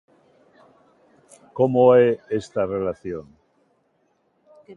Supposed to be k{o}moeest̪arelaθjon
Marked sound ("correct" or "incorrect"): correct